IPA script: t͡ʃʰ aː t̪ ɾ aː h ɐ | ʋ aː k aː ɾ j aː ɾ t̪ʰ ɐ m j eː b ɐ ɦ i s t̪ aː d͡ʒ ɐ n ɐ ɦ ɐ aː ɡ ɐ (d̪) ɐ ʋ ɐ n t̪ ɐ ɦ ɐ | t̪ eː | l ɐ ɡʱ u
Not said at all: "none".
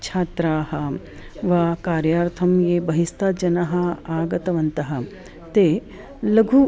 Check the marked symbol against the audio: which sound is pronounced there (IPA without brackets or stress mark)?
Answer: t̪